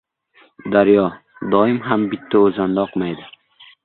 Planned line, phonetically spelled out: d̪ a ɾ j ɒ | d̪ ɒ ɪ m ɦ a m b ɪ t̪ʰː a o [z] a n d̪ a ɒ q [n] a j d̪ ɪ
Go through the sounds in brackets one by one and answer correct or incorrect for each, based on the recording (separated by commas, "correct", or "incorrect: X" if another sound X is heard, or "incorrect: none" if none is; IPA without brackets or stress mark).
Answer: correct, incorrect: m